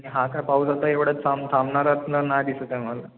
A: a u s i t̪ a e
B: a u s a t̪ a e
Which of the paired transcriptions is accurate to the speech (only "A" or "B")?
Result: B